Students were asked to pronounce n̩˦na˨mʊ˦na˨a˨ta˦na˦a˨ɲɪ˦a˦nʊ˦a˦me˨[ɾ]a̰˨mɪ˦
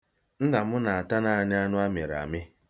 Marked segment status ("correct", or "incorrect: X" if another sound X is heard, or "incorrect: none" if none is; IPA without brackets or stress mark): correct